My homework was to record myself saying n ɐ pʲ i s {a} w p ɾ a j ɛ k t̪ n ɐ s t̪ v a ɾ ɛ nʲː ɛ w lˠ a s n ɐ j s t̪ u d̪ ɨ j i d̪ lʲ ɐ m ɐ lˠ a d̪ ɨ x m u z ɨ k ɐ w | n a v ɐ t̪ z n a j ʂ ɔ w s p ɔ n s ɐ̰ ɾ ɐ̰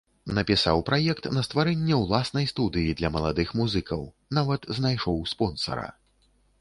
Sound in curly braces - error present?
no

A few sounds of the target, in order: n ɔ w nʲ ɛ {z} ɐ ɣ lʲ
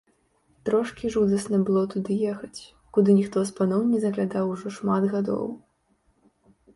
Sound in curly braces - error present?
no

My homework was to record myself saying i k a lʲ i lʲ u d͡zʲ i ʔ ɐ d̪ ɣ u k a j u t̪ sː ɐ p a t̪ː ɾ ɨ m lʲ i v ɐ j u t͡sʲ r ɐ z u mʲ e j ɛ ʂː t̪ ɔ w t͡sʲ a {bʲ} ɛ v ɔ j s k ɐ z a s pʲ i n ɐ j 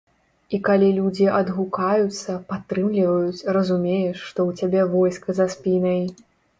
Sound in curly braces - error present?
no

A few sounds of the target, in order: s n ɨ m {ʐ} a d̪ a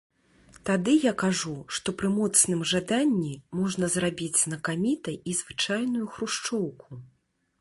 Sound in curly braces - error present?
no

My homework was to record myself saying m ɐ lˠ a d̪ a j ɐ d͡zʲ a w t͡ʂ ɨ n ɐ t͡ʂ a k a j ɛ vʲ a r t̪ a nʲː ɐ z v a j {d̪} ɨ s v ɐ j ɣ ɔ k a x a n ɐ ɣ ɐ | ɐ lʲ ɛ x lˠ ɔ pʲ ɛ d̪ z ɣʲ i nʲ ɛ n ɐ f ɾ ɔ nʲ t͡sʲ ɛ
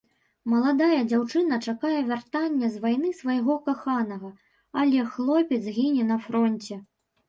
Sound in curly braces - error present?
yes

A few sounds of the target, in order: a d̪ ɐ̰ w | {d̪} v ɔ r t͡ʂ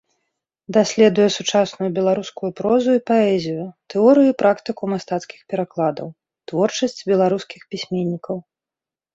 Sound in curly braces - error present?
yes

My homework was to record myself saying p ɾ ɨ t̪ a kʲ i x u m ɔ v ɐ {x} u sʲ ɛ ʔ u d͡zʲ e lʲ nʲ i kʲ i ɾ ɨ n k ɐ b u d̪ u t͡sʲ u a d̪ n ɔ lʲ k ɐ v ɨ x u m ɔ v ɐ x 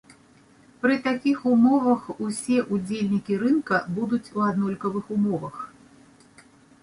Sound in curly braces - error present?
no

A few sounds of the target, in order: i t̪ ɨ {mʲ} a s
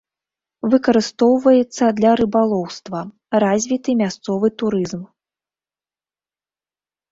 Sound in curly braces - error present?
no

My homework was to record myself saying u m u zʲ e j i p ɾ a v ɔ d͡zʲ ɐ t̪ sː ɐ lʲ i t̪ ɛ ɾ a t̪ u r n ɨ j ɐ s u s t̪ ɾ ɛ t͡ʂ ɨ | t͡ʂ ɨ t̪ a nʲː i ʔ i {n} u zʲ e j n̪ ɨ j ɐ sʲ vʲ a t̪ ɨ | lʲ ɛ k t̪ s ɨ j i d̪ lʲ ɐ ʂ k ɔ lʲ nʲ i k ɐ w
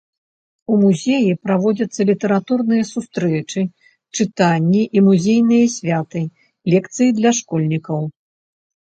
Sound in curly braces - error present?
yes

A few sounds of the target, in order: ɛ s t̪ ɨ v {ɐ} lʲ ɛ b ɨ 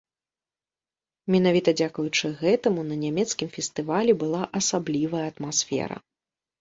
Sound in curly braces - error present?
yes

